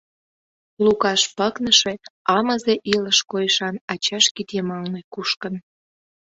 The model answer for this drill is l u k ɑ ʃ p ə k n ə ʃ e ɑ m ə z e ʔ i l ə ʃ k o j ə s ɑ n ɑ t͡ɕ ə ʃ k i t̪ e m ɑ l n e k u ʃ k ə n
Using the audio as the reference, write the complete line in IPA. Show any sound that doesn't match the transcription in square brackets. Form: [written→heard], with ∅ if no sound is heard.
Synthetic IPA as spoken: l u k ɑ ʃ p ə k n ə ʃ e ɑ m ə z e ʔ i l ə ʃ k o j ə [s→ʃ] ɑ n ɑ t͡ɕ [ə→ɑ] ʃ k i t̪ e m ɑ l n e k u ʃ k ə n